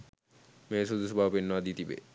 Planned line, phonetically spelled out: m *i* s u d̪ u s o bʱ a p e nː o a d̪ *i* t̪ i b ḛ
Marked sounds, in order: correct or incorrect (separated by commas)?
incorrect, correct